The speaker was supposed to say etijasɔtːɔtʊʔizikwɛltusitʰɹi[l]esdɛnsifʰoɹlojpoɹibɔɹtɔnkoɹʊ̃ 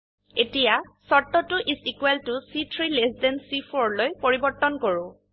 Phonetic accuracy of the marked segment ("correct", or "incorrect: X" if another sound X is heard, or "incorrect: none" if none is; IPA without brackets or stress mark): correct